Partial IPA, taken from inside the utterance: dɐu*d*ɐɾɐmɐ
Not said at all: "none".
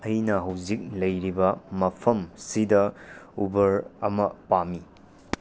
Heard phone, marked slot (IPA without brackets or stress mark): b